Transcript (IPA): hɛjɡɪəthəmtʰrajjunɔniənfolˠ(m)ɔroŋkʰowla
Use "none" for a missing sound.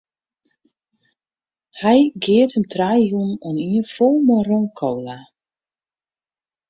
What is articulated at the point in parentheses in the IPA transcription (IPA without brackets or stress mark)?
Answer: m